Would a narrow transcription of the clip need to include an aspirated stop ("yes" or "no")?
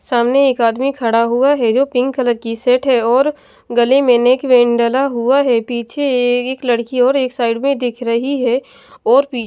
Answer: yes